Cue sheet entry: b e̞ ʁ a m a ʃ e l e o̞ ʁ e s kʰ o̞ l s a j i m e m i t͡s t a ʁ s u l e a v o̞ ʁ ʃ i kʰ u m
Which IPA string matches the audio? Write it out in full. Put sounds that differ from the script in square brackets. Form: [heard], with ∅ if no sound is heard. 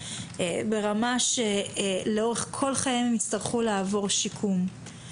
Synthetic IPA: b e̞ ʁ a m a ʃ e l e o̞ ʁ e [χ] kʰ o̞ l [χ] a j i m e m i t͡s t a ʁ [χ] u l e a v o̞ ʁ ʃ i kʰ u m